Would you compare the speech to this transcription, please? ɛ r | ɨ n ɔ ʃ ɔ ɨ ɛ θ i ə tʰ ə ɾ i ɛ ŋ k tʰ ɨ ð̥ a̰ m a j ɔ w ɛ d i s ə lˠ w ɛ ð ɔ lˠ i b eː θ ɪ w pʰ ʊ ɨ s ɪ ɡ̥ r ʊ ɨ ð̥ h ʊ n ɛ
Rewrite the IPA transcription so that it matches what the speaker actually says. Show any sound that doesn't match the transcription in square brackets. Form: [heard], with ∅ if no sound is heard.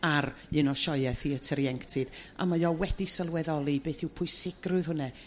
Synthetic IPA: [a] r | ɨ n ɔ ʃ ɔ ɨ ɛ θ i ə tʰ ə ɾ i ɛ ŋ k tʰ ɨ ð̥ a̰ m a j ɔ w ɛ d i s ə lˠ w ɛ ð ɔ lˠ i b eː θ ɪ w pʰ ʊ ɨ s ɪ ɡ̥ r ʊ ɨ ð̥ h ʊ n ɛ

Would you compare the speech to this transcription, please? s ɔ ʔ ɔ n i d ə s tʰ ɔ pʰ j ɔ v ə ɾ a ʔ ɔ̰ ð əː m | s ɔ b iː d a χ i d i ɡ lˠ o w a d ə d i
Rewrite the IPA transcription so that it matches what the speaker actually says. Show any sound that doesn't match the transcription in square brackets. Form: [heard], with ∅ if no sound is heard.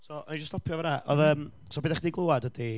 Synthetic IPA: s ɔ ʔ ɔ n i [d͡ʒ] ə s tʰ ɔ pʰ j ɔ v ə ɾ a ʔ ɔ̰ ð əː m | s ɔ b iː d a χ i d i ɡ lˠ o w a d ə d i

